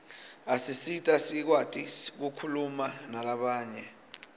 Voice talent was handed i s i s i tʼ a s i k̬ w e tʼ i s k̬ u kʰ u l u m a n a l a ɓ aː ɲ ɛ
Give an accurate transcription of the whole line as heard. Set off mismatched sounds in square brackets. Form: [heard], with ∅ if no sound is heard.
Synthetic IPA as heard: [a] s i s i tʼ a s i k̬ w [a] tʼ i s k̬ u kʰ u l u m a n a l a ɓ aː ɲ ɛ